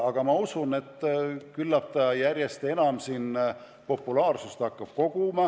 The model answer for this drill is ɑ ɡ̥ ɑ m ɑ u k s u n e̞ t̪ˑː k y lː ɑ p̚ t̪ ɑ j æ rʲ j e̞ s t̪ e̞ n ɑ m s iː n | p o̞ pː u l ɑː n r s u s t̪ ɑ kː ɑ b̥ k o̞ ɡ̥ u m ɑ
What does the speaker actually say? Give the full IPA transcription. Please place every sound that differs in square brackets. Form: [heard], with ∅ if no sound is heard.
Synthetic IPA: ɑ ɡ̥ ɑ m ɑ u [∅] s u n e̞ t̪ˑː k y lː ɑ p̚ t̪ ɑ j æ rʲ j e̞ s t̪ e̞ n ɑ m s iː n | p o̞ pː u l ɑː [∅] r s u s t̪ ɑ kː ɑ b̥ k o̞ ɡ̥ u m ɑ